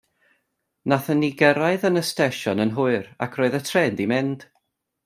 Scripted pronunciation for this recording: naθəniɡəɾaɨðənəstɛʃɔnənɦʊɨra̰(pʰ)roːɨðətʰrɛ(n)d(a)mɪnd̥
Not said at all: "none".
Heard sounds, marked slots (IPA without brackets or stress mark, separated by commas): kʰ, n, i